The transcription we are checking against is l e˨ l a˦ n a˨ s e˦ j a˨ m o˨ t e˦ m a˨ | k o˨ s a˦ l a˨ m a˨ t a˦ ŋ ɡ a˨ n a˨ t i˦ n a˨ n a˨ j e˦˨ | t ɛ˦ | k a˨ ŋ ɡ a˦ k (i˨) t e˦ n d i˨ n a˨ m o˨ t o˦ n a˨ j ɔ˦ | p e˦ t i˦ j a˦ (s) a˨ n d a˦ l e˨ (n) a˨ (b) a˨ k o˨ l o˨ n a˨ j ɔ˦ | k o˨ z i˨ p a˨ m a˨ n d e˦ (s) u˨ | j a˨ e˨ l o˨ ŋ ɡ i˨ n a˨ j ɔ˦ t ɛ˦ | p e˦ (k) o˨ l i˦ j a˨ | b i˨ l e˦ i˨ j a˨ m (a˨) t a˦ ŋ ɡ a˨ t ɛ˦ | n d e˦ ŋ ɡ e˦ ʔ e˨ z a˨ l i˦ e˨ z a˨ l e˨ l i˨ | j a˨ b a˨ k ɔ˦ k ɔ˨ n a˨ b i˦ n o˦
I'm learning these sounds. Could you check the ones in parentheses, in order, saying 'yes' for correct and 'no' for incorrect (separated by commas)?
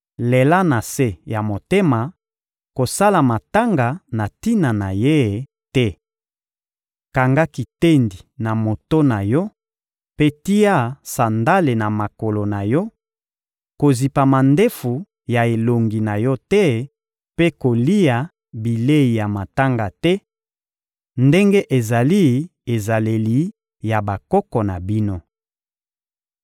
yes, yes, yes, no, no, yes, yes